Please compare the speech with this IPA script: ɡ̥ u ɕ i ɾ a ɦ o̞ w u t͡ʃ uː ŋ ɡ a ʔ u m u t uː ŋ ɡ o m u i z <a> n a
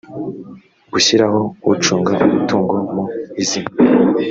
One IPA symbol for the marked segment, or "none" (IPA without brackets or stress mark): i